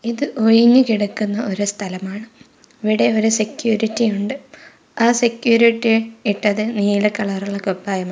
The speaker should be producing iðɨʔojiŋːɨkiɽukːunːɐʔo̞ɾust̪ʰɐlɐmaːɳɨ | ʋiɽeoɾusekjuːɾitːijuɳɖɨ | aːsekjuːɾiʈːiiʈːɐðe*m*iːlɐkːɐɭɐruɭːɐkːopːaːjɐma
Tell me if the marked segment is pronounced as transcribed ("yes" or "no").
no